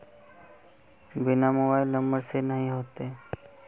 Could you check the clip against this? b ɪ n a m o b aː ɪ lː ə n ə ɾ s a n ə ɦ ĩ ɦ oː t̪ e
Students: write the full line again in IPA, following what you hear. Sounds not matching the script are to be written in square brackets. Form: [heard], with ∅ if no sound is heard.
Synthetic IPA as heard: b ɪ n a m o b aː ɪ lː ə [m] ə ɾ s [e] n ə ɦ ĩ ɦ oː t̪ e

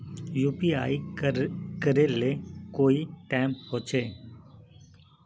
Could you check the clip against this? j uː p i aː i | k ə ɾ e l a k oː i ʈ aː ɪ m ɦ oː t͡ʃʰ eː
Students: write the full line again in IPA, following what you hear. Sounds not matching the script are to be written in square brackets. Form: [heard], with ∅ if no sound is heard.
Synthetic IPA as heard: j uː p i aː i | k ə ɾ e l [e] k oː i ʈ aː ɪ m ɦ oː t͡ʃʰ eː

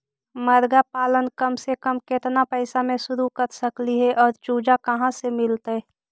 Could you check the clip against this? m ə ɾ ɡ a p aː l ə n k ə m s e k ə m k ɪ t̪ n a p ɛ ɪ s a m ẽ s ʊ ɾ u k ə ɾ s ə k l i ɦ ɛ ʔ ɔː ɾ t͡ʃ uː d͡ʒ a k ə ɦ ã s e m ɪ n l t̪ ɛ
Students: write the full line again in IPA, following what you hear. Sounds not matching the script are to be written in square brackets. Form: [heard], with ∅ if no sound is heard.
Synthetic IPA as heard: m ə ɾ ɡ a p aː l ə n k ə m s e k ə m k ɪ t̪ n a p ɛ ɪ s a m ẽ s ʊ ɾ u k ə ɾ s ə k l i ɦ ɛ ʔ ɔː ɾ t͡ʃ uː d͡ʒ a k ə ɦ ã s e m ɪ [∅] l t̪ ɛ

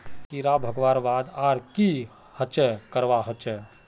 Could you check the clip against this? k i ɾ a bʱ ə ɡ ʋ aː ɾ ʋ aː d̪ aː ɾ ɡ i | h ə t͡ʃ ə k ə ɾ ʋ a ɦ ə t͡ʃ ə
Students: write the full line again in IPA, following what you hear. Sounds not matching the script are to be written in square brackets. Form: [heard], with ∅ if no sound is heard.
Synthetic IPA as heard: k i ɾ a bʱ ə ɡ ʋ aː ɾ ʋ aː d̪ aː ɾ [k] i | h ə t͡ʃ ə k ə ɾ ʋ a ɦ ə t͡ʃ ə

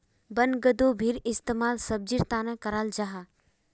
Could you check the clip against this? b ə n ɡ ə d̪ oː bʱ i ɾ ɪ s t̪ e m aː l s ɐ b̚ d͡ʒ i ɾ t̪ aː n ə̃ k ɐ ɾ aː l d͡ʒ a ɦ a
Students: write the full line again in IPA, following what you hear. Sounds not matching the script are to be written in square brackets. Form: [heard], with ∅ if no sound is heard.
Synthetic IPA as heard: b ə n ɡ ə d̪ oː bʱ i ɾ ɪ s t̪ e m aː l s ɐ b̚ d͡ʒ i ɾ t̪ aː n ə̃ k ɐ ɾ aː l d͡ʒ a ɦ a

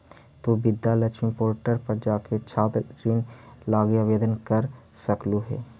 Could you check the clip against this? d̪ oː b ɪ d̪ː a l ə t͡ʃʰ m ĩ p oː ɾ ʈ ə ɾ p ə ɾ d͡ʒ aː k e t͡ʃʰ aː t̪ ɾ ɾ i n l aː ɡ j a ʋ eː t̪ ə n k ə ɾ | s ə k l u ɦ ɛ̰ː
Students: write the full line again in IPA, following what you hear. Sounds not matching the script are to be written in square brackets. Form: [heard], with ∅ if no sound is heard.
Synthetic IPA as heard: [t̪] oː b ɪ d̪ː a l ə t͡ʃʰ m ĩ p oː ɾ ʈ ə ɾ p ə ɾ d͡ʒ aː k e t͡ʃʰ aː t̪ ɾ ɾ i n l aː ɡ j a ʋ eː [d̪] ə n k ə ɾ | s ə k l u ɦ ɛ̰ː

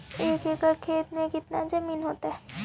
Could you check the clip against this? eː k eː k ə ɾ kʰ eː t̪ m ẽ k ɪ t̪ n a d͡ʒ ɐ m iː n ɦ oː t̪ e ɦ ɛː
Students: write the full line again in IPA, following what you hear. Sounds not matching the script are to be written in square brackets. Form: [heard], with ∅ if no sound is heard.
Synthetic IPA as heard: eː k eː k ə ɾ kʰ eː t̪ m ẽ k ɪ t̪ n a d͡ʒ ɐ m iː n ɦ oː t̪ [a] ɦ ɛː

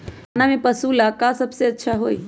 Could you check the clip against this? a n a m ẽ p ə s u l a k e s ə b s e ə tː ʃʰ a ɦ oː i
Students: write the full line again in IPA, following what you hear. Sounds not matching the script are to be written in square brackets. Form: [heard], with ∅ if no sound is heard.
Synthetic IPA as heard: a n a m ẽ p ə s u l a k [a] s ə b s e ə tː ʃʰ a ɦ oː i

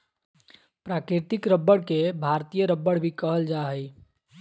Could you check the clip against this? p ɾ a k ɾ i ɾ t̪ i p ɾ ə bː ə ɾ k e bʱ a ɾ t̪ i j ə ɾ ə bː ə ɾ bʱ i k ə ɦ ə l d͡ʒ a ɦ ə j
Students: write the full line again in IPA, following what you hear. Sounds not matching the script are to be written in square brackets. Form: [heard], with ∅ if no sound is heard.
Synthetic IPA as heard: p ɾ a k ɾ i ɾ t̪ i [k] ɾ ə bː ə [ɽ] k e bʱ a ɾ t̪ i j ə ɾ ə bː ə [ɽ] bʱ i k ə ɦ ə l d͡ʒ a ɦ ə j

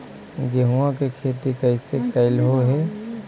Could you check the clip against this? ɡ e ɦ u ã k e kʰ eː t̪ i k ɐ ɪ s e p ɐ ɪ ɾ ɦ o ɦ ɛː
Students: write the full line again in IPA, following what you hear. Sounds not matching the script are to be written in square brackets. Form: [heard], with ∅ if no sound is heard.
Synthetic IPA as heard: ɡ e ɦ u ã k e kʰ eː t̪ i k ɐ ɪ s e [k] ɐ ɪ [l] ɦ o ɦ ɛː

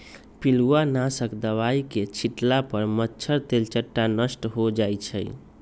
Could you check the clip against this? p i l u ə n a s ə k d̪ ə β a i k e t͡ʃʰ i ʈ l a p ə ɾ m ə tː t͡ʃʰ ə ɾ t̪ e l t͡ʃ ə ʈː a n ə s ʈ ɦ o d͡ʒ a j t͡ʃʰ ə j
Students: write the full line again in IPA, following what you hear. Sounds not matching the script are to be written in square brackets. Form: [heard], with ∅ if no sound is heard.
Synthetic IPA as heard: p i l u [a] n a s ə k d̪ ə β a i k e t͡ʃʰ i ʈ l a p ə ɾ m ə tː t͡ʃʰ ə ɾ t̪ e l t͡ʃ ə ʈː a n ə s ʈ ɦ o d͡ʒ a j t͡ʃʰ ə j

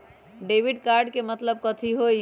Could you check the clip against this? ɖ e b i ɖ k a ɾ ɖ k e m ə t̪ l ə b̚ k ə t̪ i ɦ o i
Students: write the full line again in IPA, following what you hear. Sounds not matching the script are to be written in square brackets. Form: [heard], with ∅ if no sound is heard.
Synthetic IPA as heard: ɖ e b i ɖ k a ɾ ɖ k e m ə t̪ l ə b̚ k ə [t̪ʰ] i ɦ o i

